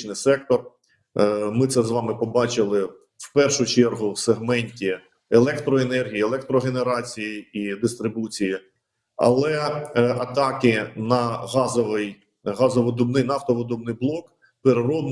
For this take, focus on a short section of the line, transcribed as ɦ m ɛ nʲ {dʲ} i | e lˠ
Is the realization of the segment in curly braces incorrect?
yes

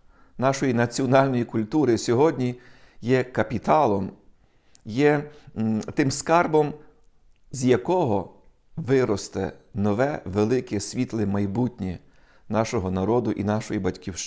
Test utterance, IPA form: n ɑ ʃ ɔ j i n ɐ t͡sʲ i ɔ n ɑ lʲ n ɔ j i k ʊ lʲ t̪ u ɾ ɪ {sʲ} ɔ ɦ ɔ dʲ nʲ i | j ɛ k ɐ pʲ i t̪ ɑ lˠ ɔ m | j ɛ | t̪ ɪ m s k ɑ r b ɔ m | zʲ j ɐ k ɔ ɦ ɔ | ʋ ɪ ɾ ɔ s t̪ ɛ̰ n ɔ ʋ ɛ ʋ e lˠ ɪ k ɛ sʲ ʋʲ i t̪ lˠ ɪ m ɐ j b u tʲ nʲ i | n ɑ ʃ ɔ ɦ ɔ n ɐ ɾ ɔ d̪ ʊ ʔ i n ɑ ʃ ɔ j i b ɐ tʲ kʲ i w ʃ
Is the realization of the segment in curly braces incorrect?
no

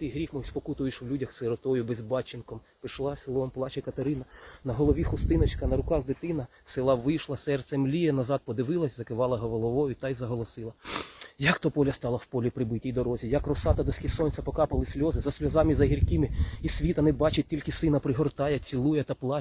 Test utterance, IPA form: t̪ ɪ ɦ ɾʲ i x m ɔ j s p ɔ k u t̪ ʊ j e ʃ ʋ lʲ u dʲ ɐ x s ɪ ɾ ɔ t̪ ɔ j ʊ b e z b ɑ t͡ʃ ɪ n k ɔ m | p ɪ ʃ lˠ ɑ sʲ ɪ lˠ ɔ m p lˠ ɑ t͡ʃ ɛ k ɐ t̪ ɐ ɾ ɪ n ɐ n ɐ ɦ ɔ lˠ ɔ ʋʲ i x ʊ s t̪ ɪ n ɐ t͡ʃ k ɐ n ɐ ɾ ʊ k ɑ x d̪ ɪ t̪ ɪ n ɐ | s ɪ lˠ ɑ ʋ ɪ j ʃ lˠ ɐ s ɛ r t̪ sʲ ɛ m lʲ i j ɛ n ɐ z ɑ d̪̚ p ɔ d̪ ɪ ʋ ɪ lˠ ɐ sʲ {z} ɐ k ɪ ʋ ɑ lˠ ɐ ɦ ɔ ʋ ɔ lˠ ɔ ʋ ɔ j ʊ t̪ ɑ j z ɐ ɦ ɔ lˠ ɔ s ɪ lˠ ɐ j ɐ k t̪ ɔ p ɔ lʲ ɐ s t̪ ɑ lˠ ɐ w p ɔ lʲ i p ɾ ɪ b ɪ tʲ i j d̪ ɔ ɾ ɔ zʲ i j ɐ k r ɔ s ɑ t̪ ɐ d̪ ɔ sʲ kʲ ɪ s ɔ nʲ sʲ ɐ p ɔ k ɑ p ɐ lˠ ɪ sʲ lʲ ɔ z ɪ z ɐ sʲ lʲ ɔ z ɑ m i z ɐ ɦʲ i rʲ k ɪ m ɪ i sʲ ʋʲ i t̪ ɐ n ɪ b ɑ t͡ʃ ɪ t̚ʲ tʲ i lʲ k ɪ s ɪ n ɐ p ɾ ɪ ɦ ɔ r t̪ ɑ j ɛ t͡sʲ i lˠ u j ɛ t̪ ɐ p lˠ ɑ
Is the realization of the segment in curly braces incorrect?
no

